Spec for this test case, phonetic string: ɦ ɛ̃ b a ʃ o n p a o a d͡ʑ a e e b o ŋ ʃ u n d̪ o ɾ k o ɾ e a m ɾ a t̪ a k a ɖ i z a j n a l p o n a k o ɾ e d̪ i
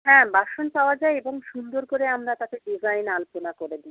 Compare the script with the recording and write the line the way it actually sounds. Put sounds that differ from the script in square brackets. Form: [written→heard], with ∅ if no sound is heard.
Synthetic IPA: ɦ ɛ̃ b a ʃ o n p a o a d͡ʑ a e e b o ŋ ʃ u n d̪ o ɾ k o ɾ e a m ɾ a t̪ a k [a→e] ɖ i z a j n a l p o n a k o ɾ e d̪ i